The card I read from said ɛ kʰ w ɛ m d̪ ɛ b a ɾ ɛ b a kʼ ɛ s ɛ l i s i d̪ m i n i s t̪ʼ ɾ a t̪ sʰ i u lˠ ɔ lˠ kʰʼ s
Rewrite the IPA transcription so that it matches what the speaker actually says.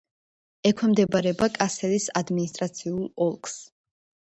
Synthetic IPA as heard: ɛ kʰ w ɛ m d̪ ɛ b a ɾ ɛ b a kʼ a s ɛ l i s a d̪ m i n i s t̪ʼ ɾ a t̪ sʰ i u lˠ ɔ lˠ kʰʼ s